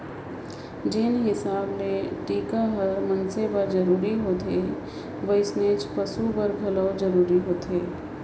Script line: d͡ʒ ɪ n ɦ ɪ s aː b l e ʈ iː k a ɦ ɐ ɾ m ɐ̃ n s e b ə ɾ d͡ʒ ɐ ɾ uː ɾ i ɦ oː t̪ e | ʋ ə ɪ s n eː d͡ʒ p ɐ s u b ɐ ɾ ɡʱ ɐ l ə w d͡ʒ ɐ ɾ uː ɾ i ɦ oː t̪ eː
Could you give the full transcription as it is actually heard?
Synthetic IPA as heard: d͡ʒ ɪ n ɦ ɪ s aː b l e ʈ iː k a ɦ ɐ ɾ m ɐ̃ n s e b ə ɾ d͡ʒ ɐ ɾ uː ɾ i ɦ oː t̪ e | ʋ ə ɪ s n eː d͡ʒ p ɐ s u b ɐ ɾ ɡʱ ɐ l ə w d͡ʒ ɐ ɾ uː ɾ i ɦ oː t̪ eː